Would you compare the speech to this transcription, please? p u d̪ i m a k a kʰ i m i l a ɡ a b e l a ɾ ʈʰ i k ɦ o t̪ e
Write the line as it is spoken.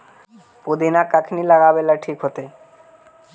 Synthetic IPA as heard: p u d̪ i n a k a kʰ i n i l a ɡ a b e l a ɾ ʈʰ i k ɦ o t̪ e